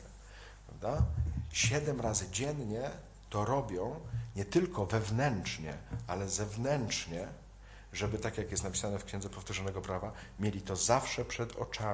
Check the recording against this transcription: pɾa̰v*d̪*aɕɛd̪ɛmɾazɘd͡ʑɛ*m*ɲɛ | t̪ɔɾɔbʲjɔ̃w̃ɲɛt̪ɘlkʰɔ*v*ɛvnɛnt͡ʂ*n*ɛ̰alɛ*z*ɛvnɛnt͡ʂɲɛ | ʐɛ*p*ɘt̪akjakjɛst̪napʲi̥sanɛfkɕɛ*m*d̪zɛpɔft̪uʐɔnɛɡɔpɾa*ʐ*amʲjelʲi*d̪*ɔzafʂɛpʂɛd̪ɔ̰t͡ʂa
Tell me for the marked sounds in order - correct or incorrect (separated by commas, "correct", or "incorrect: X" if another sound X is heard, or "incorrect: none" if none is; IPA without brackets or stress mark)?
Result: correct, incorrect: n, correct, incorrect: ɲ, correct, incorrect: b, incorrect: n, incorrect: v, incorrect: t̪